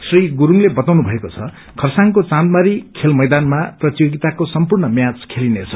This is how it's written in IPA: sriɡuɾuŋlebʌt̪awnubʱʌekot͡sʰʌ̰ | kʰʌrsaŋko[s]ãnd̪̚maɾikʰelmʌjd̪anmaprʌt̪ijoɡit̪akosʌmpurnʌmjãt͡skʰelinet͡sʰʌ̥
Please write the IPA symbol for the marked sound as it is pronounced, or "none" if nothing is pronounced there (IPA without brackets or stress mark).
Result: t͡s